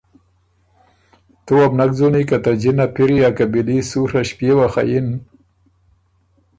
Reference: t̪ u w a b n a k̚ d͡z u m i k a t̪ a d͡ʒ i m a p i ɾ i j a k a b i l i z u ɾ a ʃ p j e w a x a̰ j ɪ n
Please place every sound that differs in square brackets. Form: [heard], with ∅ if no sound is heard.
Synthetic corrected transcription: t̪ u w a b n a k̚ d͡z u [n] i k a t̪ a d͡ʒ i [n] a p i ɾ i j a k a b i l i [s] u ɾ a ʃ p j e w a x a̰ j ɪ n